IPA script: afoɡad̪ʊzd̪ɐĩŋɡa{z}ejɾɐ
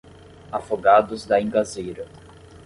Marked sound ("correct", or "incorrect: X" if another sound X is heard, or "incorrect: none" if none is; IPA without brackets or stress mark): correct